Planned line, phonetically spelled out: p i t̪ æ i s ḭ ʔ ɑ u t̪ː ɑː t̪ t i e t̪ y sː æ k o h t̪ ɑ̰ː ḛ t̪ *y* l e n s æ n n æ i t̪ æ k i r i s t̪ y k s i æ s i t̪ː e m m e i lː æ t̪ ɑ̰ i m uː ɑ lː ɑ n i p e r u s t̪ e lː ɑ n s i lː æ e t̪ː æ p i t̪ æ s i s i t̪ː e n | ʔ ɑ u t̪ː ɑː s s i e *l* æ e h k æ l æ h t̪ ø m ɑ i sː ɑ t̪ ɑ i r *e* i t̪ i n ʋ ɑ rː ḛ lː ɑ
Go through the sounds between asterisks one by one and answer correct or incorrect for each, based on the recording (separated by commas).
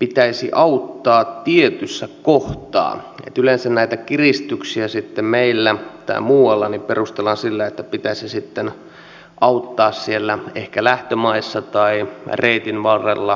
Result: correct, incorrect, correct